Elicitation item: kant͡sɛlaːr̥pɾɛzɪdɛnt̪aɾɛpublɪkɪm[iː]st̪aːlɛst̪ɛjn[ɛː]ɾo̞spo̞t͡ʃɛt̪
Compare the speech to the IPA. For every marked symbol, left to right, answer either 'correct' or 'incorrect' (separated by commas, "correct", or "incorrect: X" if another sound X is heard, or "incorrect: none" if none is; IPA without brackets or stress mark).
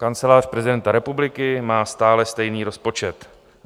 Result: incorrect: aː, incorrect: iː